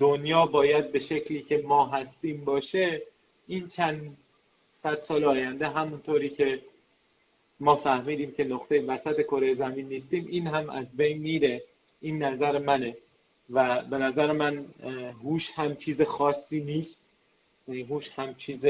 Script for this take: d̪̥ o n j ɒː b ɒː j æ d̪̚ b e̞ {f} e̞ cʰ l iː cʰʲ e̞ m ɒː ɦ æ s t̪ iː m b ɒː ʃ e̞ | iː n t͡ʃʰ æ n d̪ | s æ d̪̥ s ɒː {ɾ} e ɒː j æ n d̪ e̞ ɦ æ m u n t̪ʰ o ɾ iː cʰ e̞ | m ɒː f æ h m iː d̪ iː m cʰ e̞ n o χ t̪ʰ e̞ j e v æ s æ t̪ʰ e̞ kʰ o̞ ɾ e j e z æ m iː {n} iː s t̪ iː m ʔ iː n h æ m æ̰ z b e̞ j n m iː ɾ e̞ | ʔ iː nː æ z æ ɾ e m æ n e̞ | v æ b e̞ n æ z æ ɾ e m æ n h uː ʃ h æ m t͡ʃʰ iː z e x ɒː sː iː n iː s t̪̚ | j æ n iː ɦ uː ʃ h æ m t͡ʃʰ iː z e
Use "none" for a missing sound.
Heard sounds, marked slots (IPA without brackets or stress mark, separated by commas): ʃ, l, nː